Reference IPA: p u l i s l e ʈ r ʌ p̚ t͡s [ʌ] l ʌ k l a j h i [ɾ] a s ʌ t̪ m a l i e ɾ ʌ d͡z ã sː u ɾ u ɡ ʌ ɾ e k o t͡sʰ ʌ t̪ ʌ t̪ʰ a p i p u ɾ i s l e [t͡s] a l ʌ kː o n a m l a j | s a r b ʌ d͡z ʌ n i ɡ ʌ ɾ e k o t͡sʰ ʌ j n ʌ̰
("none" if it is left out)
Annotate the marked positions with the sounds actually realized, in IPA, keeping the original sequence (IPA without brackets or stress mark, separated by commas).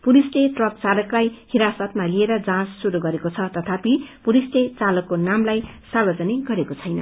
a, ɾ, t͡s